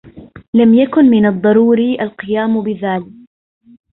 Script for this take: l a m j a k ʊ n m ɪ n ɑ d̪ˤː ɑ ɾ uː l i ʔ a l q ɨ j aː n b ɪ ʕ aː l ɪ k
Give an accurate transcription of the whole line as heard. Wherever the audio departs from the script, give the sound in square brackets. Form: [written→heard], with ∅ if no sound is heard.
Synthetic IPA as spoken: l a m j a k ʊ n m ɪ n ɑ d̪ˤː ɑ ɾ uː [l→ɾ] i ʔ a l q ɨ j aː [n→m] b ɪ [ʕ→ð] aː l ɪ k